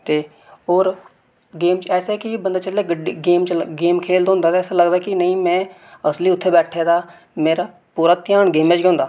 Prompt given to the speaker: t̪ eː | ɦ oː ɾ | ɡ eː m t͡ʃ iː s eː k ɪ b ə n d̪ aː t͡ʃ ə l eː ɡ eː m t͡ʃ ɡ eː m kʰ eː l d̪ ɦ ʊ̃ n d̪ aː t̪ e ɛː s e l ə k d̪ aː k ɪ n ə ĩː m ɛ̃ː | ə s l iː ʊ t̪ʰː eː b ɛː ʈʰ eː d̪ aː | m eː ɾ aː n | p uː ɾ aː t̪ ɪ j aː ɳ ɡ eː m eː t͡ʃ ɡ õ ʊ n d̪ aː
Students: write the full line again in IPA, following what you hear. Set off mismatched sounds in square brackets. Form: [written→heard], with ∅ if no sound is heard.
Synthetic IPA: t̪ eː | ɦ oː ɾ | ɡ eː m t͡ʃ [iː→ɛː] s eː k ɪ b ə n d̪ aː t͡ʃ ə l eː ɡ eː m t͡ʃ ɡ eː m kʰ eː l d̪ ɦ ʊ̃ n d̪ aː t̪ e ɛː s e l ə [k→ɡ] d̪ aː k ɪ n ə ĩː m ɛ̃ː | ə s l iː ʊ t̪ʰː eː b ɛː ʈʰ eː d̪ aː | m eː ɾ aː [n→∅] | p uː ɾ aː t̪ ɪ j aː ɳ ɡ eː m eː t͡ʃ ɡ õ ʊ n d̪ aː